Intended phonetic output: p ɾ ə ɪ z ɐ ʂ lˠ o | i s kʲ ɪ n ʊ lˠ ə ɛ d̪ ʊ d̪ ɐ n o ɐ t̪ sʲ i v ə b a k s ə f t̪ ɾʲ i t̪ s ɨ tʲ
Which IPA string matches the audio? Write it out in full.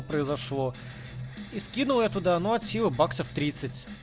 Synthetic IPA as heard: p ɾ ə ɪ z ɐ ʂ lˠ o | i s kʲ i n ʊ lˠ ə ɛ t̪ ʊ d̪ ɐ n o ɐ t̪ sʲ i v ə b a k s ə f t̪ ɾʲ i t̪ s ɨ tʲ